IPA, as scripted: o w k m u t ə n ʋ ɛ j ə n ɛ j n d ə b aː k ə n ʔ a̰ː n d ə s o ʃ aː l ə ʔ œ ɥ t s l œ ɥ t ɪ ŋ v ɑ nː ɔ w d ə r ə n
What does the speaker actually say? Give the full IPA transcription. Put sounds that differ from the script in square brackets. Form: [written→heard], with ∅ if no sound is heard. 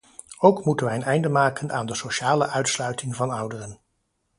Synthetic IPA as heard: o w k m u t ə n ʋ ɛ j ə n ɛ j n d ə [b→m] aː k ə n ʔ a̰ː n d ə s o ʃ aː l ə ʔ œ ɥ t s l œ ɥ t ɪ ŋ v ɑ [nː→n] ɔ w d ə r ə n